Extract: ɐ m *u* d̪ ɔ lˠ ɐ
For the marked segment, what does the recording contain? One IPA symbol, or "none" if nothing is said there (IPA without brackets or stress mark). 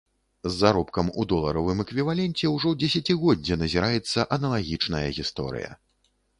u